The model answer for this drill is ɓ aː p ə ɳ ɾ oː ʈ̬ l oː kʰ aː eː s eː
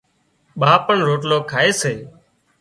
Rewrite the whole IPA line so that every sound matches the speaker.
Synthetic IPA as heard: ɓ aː p ə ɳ ɾ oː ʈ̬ l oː kʰ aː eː s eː